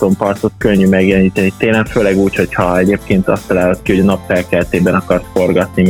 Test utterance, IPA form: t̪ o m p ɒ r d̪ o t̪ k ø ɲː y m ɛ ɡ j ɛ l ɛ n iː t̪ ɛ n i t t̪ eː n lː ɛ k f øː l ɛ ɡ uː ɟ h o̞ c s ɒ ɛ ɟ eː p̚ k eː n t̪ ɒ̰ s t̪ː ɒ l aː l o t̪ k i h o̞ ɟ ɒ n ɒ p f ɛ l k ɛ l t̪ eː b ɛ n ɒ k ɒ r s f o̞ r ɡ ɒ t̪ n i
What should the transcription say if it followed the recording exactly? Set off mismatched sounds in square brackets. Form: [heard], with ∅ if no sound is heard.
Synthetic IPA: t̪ o m p ɒ r [t̪] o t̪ k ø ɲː y m ɛ ɡ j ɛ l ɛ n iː t̪ ɛ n i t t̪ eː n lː ɛ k f øː l ɛ ɡ uː [c] h o̞ c [h] ɒ ɛ ɟ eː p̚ k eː n t̪ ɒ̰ s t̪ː ɒ l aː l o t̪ k i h o̞ ɟ ɒ n ɒ p f ɛ l k ɛ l t̪ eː b ɛ n ɒ k ɒ r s f o̞ r ɡ ɒ t̪ n i